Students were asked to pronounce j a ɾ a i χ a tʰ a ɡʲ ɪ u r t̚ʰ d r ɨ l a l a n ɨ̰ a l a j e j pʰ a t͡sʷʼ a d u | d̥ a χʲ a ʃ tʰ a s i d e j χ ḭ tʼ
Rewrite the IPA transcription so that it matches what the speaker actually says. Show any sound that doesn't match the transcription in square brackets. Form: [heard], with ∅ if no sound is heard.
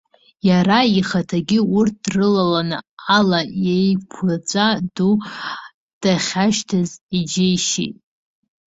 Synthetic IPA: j a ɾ a i χ a tʰ a ɡʲ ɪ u r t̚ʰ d r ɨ l a l a n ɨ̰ a l a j e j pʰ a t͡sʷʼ a d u | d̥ a χʲ a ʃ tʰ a [z] i [d͡ʒ] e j [ʃ] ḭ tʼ